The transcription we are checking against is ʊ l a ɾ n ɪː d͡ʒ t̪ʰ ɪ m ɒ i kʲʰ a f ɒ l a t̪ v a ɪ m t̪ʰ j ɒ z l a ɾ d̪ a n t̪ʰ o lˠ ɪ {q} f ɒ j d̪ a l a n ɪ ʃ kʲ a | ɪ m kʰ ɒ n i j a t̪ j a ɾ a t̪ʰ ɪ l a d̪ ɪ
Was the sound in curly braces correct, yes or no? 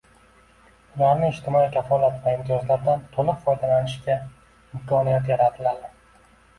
yes